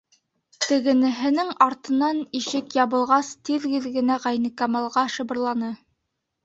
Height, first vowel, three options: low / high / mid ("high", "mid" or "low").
mid